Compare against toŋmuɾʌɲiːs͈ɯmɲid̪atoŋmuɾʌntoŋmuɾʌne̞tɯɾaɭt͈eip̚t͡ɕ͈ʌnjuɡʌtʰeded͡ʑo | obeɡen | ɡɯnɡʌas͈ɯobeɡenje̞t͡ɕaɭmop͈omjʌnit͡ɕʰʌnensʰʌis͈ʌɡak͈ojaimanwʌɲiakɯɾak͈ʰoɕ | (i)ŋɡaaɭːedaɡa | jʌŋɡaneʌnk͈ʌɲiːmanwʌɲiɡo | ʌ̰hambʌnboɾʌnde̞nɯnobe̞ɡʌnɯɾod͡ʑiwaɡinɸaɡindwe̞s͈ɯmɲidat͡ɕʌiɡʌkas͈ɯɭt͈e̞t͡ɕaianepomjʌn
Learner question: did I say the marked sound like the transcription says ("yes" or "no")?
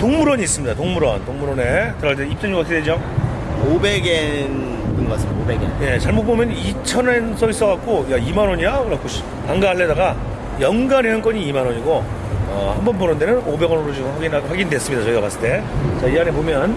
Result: no